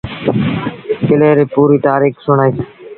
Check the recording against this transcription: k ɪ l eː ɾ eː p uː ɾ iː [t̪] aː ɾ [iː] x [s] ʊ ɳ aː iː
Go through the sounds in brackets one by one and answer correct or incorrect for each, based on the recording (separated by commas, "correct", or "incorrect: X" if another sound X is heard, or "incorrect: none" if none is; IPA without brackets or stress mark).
correct, correct, correct